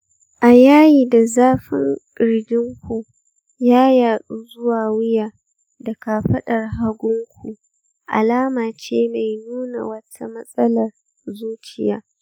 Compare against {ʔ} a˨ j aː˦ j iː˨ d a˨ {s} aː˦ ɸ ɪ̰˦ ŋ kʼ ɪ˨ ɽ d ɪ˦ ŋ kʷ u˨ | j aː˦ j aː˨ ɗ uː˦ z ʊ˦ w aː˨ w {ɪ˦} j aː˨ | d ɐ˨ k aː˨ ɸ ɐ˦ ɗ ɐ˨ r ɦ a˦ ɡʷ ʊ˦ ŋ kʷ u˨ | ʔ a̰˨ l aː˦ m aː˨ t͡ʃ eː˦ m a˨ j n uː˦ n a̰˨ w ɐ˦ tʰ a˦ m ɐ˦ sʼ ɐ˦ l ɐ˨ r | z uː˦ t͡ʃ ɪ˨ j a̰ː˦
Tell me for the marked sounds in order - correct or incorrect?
correct, incorrect: z, correct

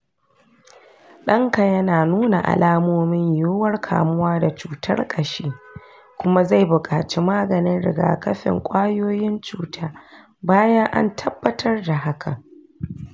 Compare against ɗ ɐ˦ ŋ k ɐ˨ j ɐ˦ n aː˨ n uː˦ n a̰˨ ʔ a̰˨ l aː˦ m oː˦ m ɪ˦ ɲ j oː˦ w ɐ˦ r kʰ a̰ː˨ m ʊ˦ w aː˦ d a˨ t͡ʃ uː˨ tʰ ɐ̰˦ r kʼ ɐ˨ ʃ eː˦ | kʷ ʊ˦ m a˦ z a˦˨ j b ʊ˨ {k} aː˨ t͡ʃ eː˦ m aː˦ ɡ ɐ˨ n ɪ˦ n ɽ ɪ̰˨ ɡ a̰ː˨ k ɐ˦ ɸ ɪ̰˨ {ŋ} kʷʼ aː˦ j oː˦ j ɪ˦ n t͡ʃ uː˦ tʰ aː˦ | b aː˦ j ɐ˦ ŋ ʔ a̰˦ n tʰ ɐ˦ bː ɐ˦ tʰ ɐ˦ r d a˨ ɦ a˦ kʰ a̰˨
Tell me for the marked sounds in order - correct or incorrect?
incorrect: kʼ, correct

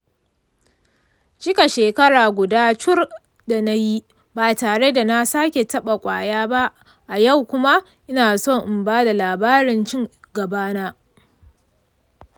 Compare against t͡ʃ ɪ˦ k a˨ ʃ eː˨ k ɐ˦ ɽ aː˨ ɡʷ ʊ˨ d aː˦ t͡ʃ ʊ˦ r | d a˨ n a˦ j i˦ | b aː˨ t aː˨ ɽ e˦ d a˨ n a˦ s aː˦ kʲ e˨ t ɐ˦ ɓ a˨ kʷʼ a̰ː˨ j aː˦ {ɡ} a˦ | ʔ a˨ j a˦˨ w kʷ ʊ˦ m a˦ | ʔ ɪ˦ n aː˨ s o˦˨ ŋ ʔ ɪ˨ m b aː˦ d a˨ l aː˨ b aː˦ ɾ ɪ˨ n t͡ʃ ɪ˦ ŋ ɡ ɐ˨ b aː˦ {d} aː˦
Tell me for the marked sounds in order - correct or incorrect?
incorrect: b, incorrect: n

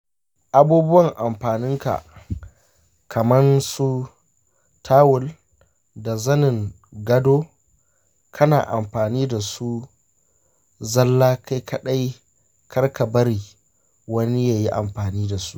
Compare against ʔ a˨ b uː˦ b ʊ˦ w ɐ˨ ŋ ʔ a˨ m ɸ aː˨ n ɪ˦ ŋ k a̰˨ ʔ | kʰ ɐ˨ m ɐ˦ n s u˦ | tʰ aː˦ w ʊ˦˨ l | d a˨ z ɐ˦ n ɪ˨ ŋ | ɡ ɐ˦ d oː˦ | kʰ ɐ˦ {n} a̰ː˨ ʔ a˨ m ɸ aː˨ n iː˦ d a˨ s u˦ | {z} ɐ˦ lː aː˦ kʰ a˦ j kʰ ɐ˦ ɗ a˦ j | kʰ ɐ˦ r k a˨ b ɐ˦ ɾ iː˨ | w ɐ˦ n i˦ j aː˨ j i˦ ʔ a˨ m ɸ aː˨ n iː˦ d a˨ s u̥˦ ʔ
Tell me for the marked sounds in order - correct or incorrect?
correct, correct

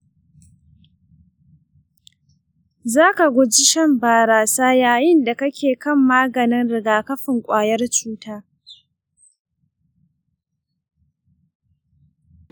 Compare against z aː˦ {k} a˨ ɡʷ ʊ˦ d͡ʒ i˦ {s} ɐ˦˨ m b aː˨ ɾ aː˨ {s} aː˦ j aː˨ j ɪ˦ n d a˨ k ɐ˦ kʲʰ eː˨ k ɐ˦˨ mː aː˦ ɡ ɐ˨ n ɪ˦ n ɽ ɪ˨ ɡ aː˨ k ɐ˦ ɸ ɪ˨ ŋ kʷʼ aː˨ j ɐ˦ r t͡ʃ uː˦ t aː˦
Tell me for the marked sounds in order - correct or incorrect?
correct, incorrect: ʃ, correct

